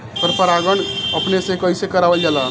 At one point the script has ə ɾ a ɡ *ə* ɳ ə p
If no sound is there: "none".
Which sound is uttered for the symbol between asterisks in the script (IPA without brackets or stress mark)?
ə